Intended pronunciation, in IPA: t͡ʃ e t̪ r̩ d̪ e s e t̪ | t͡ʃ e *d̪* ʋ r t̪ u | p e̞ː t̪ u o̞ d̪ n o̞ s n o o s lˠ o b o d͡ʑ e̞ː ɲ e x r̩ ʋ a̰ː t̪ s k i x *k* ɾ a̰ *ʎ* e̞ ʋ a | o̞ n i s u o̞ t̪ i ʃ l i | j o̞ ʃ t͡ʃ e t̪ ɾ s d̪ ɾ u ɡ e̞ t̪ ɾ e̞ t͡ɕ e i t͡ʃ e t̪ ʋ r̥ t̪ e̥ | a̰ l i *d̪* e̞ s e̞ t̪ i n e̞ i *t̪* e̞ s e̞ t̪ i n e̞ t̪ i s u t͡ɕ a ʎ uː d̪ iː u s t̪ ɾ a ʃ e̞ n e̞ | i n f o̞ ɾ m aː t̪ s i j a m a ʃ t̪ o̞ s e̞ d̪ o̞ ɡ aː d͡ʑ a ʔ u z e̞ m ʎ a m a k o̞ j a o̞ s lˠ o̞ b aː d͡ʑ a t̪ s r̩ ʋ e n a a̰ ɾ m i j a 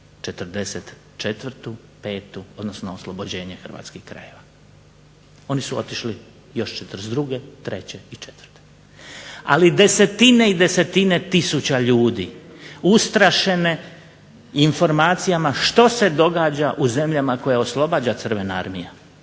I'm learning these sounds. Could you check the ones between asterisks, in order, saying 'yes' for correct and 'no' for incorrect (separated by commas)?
no, yes, no, yes, no